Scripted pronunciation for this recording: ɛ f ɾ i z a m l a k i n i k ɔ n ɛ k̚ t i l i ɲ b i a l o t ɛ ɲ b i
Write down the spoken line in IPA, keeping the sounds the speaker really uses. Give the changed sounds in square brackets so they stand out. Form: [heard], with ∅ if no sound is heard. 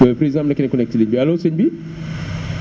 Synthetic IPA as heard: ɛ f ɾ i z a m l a k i n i k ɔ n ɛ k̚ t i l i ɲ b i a l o [s] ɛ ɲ b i